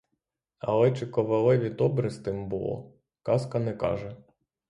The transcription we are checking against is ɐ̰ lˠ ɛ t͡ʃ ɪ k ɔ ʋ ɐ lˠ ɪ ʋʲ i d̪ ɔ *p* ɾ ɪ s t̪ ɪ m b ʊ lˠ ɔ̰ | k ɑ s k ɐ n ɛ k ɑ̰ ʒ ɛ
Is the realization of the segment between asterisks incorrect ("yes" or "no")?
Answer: yes